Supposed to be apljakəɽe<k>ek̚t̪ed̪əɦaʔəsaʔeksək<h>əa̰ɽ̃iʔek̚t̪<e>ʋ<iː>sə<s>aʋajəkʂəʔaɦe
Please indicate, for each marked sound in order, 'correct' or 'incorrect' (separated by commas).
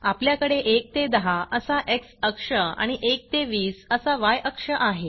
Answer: incorrect, incorrect, correct, correct, correct